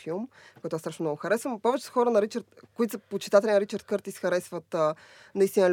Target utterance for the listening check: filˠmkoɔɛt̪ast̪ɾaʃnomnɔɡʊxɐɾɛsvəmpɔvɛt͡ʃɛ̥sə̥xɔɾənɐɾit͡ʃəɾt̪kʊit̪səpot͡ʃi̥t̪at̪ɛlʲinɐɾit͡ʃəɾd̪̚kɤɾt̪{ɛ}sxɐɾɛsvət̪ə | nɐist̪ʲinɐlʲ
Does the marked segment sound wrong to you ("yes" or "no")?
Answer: yes